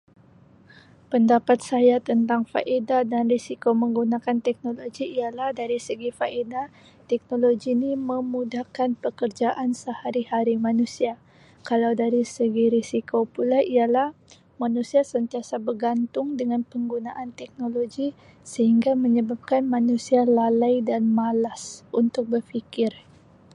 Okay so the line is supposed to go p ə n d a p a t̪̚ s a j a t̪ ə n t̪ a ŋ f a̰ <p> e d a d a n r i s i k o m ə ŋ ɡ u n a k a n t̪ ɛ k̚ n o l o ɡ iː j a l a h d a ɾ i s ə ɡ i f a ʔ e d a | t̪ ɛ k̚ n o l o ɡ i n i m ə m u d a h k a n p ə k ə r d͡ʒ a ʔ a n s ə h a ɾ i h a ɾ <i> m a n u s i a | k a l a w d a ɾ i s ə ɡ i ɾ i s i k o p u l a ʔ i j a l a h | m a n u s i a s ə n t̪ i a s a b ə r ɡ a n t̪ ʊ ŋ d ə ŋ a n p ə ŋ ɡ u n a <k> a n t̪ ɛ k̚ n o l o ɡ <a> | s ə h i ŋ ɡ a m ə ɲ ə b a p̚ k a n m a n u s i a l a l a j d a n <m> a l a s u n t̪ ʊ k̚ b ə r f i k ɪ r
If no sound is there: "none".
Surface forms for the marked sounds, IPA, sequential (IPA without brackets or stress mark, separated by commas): ʔ, i, ʔ, i, m